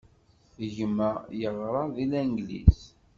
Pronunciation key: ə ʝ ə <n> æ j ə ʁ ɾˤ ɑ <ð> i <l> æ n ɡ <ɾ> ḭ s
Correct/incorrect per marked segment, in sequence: incorrect, correct, correct, incorrect

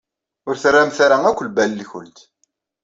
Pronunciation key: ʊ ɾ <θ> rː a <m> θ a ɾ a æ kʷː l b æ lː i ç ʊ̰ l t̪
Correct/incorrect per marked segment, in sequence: correct, correct

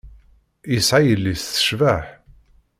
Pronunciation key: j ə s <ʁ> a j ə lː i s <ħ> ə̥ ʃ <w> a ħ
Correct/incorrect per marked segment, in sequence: incorrect, incorrect, incorrect

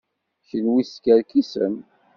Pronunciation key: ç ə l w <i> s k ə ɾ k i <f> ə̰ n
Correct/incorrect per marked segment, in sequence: correct, incorrect

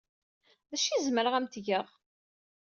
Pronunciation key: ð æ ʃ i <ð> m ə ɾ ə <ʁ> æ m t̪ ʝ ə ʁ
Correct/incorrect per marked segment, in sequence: incorrect, correct

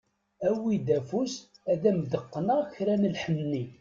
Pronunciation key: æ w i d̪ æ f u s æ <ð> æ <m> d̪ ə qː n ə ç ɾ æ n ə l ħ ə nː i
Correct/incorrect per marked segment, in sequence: correct, correct

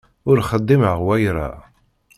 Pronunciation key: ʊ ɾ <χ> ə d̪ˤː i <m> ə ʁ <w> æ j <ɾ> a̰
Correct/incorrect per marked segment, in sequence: correct, correct, correct, correct

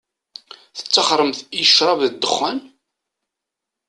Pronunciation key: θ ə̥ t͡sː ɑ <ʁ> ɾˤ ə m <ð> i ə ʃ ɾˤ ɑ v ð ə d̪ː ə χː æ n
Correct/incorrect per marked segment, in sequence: incorrect, incorrect

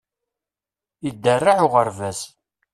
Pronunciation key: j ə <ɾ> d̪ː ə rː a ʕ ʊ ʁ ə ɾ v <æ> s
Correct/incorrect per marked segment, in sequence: incorrect, correct

